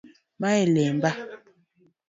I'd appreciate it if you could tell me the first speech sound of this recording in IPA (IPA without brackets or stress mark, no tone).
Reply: m